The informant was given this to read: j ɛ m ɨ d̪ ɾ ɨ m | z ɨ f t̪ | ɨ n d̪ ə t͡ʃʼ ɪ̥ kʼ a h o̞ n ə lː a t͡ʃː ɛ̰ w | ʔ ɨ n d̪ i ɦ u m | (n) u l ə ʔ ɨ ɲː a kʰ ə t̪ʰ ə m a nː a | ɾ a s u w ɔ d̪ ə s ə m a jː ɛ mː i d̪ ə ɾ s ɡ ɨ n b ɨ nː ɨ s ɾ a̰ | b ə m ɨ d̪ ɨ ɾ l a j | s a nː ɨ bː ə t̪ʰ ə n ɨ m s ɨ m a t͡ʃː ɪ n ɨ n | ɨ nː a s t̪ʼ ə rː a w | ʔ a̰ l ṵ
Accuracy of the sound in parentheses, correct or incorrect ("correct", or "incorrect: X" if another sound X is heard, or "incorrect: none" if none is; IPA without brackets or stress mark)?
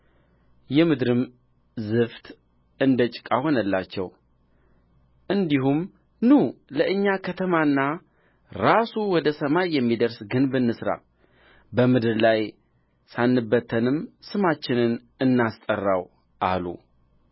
correct